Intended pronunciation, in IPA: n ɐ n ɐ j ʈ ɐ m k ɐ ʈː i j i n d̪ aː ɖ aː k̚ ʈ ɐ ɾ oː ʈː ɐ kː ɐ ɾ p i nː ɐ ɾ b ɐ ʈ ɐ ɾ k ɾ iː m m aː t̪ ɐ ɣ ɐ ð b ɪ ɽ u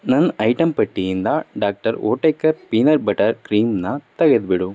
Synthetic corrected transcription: n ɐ n ɐ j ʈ ɐ m p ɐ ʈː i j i n d̪ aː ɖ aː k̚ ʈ ɐ ɾ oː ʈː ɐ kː ɐ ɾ p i n ɐ ɾ b ɐ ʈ ɐ ɾ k ɾ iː m n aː t̪ ɐ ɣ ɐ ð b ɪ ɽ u